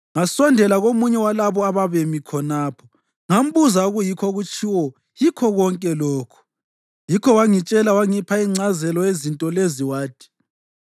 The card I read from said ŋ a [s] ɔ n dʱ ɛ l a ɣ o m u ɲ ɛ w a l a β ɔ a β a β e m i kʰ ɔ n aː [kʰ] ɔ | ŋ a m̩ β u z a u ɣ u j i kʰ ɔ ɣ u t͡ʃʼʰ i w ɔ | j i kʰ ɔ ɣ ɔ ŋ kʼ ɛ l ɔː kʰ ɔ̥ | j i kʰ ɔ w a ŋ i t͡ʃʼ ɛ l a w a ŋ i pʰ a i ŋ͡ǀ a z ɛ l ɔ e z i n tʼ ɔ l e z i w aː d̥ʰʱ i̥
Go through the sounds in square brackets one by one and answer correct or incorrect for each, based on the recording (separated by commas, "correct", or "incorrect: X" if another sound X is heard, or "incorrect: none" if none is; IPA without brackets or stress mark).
correct, incorrect: pʰ